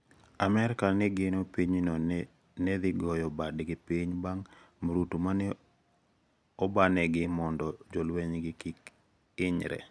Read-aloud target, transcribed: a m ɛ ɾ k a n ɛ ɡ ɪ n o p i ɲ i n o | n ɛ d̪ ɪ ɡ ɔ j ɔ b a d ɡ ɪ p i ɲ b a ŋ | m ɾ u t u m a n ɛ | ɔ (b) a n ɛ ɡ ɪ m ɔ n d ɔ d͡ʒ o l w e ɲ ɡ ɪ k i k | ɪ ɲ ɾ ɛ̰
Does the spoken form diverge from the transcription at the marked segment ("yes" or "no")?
no